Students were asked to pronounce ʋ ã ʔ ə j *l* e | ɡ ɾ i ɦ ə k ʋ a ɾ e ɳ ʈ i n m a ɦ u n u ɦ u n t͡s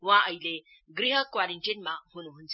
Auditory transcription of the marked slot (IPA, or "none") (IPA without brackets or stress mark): l